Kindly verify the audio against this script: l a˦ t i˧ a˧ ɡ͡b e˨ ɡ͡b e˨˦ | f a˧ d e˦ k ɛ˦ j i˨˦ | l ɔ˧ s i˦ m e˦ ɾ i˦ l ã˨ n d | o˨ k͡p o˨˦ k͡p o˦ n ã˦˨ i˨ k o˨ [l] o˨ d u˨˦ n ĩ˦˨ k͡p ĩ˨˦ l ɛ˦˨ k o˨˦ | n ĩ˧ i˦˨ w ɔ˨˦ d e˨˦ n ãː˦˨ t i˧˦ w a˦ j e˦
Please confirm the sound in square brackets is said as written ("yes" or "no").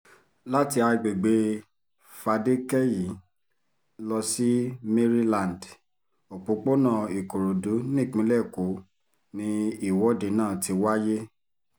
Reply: no